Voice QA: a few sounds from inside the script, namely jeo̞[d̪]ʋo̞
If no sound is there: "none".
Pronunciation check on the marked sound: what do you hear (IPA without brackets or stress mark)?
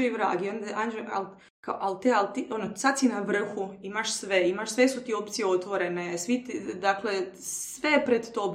t̪